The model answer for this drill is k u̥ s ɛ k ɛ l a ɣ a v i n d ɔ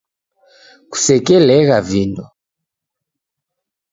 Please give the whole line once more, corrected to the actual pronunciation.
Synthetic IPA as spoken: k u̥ s ɛ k ɛ l ɛ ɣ a v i n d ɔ